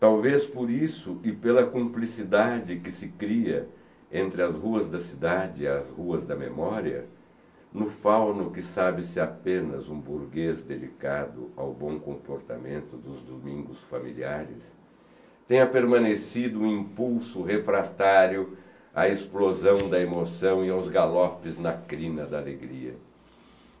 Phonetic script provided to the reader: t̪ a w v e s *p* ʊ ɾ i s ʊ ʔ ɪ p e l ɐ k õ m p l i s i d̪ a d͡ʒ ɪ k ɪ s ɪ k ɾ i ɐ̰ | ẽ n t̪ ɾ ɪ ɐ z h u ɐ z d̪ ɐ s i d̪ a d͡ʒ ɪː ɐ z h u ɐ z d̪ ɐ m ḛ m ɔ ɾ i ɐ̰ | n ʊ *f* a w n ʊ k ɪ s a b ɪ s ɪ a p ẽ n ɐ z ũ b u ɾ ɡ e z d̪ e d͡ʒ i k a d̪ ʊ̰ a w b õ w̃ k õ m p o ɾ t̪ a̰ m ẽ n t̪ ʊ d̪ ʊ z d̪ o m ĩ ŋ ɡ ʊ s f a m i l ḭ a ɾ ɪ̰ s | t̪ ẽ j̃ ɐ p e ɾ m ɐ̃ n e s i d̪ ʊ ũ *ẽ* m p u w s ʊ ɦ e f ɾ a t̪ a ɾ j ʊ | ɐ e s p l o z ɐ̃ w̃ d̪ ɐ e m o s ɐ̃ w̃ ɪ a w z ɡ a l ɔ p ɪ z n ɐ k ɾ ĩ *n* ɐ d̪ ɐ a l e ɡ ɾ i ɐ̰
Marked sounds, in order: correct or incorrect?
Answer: correct, correct, incorrect, correct

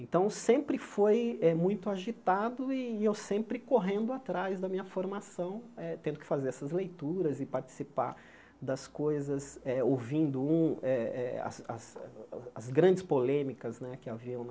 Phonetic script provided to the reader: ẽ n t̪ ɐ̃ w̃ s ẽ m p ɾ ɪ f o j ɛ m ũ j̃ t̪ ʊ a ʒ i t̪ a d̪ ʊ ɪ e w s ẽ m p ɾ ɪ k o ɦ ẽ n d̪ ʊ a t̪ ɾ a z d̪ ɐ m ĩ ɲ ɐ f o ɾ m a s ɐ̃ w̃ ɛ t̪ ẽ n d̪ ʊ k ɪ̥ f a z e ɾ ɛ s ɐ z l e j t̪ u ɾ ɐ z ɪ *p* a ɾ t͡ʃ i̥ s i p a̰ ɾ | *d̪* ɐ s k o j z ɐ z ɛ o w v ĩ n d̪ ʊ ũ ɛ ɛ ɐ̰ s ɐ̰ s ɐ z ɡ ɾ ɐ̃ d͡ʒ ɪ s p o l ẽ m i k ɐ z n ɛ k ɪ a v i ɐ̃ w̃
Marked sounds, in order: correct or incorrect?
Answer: correct, correct

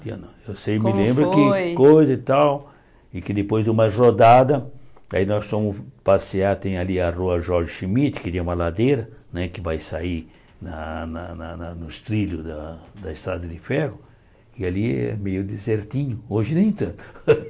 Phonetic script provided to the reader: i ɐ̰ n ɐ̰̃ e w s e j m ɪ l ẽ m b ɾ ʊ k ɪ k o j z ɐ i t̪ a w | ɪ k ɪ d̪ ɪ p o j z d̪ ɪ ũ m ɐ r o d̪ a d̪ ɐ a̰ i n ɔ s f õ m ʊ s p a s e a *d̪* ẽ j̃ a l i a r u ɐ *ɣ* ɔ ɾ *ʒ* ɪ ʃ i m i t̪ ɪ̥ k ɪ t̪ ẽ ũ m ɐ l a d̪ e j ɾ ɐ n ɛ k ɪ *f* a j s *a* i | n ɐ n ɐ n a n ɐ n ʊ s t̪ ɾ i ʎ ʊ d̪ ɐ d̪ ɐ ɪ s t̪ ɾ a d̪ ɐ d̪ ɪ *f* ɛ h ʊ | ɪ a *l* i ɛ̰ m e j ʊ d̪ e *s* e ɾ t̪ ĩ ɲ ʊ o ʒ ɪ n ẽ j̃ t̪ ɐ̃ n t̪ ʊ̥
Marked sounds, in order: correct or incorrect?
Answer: incorrect, incorrect, correct, incorrect, correct, correct, correct, incorrect

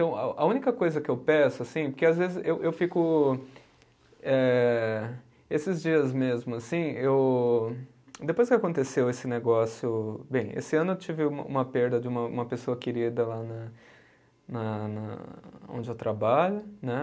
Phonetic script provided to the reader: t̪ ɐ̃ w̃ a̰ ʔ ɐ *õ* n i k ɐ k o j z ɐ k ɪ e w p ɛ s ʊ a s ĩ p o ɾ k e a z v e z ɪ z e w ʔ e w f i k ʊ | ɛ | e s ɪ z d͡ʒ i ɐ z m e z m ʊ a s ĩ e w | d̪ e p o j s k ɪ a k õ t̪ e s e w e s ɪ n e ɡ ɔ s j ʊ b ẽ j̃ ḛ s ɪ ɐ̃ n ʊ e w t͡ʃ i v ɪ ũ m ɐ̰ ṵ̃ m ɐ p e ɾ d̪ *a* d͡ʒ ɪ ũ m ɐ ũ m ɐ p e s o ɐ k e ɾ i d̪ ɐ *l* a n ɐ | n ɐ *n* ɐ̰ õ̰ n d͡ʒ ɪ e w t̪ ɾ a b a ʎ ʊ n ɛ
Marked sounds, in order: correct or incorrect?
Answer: incorrect, incorrect, correct, correct

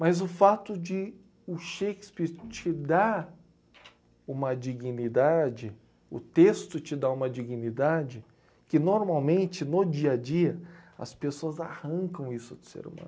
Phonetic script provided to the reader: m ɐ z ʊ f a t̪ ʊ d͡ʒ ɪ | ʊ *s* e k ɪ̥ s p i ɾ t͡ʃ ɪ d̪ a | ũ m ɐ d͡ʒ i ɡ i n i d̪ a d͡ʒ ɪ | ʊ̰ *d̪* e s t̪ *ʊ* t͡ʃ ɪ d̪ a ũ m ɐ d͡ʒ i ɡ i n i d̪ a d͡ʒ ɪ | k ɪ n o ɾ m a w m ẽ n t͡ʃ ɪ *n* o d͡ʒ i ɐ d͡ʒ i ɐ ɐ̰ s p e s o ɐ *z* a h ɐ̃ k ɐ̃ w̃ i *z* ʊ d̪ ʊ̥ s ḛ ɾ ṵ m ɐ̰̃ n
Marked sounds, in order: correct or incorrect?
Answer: incorrect, incorrect, correct, correct, correct, incorrect

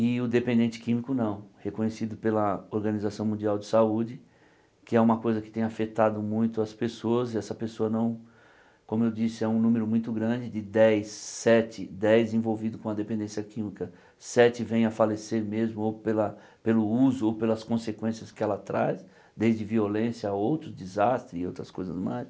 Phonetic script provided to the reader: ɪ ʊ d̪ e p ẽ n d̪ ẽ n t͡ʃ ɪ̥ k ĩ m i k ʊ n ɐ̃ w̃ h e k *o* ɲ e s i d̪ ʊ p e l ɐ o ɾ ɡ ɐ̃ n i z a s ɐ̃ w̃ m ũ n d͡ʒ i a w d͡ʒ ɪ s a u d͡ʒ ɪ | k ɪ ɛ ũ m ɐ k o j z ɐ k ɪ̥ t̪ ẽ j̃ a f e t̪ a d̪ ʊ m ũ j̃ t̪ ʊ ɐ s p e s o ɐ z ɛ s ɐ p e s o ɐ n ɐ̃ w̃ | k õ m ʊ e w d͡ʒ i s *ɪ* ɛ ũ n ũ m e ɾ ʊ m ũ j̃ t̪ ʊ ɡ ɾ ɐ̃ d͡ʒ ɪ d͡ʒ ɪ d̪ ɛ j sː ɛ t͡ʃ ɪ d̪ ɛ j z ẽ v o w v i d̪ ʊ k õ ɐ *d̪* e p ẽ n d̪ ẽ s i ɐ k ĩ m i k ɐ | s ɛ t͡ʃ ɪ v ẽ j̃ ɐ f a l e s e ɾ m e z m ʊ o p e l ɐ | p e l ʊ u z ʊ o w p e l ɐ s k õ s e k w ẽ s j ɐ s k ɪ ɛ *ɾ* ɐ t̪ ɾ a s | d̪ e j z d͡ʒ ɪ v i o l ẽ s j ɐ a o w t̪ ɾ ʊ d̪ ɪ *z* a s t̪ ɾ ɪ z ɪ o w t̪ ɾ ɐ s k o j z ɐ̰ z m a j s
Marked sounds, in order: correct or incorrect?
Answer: incorrect, correct, correct, incorrect, correct

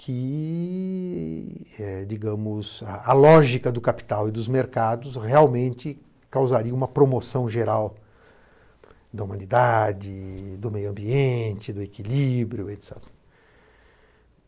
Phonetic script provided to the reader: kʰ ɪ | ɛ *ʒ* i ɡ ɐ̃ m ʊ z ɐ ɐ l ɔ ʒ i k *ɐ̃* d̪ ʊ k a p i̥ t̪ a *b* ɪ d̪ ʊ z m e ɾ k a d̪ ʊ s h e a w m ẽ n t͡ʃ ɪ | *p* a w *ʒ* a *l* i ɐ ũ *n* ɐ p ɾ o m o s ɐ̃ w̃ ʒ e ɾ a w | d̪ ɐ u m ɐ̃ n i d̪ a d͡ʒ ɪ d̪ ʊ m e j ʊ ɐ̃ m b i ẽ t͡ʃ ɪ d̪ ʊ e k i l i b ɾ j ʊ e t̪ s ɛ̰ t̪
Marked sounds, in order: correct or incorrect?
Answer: incorrect, incorrect, incorrect, incorrect, incorrect, incorrect, incorrect

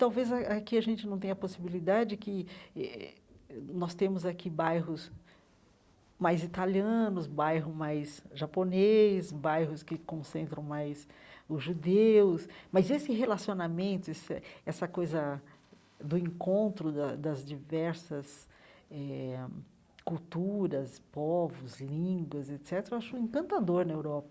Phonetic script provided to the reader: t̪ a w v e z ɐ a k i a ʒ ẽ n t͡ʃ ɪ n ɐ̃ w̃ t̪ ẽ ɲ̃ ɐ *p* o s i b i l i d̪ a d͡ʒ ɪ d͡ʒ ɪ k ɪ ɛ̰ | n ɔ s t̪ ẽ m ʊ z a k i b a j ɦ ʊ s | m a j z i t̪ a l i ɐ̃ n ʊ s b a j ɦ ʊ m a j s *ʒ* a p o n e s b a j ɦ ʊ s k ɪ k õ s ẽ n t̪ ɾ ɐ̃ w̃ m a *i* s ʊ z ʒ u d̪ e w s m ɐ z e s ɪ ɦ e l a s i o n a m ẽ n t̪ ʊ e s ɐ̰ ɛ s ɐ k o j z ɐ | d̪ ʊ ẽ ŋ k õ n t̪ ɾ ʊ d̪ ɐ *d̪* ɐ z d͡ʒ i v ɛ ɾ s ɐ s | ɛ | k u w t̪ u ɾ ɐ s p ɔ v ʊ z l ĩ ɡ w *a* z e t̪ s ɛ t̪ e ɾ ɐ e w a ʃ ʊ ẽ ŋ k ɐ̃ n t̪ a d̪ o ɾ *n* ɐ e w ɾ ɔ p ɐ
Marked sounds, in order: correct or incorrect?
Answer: correct, correct, incorrect, correct, incorrect, correct

